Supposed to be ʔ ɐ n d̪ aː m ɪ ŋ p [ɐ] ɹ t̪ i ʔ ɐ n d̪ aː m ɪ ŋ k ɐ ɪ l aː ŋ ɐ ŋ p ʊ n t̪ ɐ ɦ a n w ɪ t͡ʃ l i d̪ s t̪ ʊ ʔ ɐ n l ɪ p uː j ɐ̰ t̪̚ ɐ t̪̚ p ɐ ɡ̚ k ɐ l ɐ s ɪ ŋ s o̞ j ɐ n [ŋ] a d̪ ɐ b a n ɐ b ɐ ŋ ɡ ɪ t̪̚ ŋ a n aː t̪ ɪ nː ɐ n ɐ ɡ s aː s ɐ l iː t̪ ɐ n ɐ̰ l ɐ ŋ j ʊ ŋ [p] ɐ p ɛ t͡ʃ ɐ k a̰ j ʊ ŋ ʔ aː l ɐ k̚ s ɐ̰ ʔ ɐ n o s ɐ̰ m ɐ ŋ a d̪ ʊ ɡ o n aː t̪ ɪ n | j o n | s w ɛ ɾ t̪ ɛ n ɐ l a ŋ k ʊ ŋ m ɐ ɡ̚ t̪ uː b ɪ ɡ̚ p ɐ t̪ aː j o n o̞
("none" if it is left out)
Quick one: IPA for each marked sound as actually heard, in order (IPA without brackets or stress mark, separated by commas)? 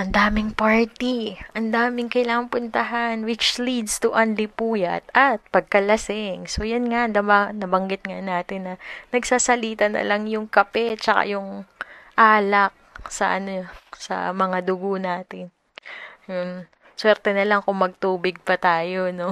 a, ŋ, k